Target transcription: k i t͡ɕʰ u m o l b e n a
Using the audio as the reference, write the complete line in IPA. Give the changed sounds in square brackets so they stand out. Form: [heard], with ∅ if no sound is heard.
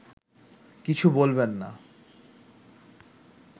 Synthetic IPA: k i t͡ɕʰ u [b] o l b e [nː] a